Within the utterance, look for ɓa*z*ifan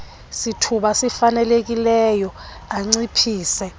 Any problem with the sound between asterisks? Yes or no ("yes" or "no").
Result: yes